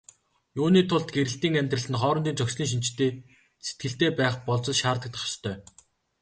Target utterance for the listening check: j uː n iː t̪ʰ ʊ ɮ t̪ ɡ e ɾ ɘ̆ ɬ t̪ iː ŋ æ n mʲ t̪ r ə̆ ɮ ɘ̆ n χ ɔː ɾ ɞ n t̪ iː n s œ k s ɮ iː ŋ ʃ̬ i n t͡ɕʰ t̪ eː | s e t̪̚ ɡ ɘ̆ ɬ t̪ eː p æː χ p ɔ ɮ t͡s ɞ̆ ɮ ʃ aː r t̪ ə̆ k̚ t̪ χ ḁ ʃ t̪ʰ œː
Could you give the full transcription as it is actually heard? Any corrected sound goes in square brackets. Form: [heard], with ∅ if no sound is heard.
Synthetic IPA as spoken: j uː n iː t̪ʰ ʊ ɮ t̪ ɡ e ɾ ɘ̆ ɬ t̪ iː ŋ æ [∅] mʲ t̪ r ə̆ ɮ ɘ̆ n χ ɔː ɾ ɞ n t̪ iː n [t͡s] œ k s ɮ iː ŋ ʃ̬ i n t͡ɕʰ t̪ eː | s e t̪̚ ɡ ɘ̆ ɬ t̪ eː p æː χ p ɔ ɮ t͡s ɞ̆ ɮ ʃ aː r t̪ ə̆ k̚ t̪ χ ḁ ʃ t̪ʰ œː